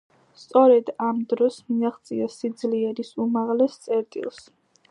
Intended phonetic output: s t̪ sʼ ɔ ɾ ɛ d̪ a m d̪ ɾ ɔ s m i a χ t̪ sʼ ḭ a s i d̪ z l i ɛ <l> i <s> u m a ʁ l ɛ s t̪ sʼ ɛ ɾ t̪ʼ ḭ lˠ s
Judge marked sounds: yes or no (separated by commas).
no, yes